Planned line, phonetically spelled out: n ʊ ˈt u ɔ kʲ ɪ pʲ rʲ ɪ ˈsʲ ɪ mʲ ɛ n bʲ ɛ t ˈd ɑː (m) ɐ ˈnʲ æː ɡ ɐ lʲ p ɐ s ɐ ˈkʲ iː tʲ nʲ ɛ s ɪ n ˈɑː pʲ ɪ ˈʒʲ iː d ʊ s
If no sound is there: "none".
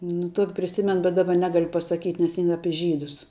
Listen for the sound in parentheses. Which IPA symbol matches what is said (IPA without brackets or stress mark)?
b